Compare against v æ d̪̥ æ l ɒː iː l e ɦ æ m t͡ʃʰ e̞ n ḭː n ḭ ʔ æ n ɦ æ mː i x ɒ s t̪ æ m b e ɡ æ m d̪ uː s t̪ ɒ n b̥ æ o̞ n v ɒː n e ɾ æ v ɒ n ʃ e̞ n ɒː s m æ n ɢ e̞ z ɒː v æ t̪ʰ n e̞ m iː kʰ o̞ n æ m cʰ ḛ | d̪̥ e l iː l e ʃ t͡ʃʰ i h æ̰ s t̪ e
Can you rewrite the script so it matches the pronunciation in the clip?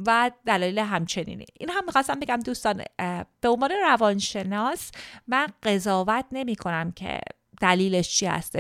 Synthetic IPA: v æ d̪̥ æ l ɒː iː l e ɦ æ m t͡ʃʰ e̞ n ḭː n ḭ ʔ i n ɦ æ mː i x ɒ s t̪ æ m b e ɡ æ m d̪ uː s t̪ ɒ n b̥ e o̞ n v ɒː n e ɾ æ v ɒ n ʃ e̞ n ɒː s m æ n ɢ e̞ z ɒː v æ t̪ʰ n e̞ m iː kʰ o̞ n æ m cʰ ḛ | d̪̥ æ l iː l e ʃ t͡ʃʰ i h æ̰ s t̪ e